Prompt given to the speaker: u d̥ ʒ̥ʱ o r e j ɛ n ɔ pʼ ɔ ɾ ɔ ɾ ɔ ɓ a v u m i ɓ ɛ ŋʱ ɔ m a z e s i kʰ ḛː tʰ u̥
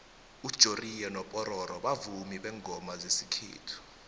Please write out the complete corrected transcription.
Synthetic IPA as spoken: u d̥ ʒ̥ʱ o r i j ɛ n ɔ pʼ ɔ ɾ ɔ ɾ ɔ ɓ a v u m i ɓ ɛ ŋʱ ɔ m a z e s i kʰ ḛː tʰ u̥